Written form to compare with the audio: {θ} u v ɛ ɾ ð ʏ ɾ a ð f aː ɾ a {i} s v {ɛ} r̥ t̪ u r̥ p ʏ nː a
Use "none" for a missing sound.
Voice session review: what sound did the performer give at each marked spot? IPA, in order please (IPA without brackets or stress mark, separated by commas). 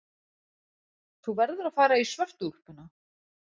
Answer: θ, i, œ